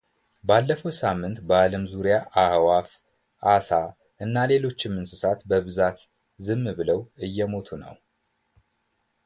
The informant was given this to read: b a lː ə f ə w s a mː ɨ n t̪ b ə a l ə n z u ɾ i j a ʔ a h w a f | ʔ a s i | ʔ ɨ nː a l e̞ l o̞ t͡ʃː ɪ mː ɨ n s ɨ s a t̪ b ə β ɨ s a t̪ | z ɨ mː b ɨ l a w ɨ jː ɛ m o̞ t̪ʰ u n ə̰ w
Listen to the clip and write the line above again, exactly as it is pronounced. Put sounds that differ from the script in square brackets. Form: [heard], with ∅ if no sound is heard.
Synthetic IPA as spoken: b a lː ə f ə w s a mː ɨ n t̪ b ə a l ə [m] z u ɾ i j a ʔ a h w a f | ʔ a s [a] | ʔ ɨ nː a l e̞ l o̞ t͡ʃː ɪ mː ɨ n s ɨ s a t̪ b ə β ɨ [z] a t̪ | z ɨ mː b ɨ l [ə] w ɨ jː ɛ m o̞ t̪ʰ u n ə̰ w